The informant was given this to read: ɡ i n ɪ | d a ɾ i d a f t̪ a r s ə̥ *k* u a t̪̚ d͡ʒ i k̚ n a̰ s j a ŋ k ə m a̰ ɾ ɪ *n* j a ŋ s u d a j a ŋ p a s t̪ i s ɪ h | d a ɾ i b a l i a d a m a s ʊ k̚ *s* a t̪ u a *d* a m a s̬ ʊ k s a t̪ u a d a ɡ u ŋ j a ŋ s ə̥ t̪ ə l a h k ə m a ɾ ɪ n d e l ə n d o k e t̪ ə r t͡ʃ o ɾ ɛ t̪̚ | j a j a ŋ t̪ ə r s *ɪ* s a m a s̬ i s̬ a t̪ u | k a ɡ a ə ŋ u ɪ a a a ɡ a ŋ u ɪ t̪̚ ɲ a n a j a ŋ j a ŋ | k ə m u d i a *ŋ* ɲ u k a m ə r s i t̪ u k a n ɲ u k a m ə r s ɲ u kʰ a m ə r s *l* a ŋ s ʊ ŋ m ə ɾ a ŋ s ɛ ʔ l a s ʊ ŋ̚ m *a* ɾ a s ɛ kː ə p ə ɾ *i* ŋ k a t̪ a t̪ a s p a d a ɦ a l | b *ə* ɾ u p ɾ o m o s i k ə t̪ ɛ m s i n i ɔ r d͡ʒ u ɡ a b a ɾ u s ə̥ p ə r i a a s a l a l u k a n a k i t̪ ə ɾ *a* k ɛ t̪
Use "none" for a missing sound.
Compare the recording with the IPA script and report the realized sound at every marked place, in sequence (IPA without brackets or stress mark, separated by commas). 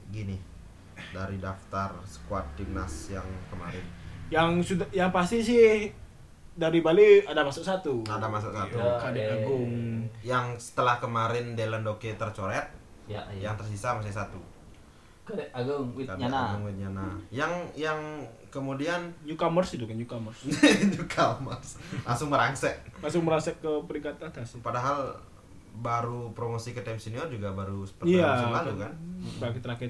k, n, s, d, i, n, l, ə, i, a, a